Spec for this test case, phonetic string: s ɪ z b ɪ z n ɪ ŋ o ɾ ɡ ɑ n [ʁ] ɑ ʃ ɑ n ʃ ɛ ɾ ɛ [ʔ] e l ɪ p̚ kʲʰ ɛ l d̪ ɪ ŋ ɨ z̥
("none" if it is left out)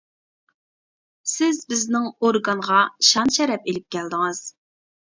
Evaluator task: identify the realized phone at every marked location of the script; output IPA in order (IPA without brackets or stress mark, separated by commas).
ʁ, p